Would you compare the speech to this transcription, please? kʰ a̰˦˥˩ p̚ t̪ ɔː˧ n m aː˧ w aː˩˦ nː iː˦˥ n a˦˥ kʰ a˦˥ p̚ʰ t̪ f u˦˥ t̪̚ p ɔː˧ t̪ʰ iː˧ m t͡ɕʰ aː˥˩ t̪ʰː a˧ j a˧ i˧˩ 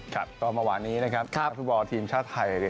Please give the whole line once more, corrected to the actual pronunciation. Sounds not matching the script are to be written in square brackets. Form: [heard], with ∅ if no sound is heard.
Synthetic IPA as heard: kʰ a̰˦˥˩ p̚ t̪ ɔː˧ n m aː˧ w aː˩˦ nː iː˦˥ n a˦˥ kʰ a˦˥ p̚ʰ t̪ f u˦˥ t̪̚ [b] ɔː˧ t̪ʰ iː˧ m t͡ɕʰ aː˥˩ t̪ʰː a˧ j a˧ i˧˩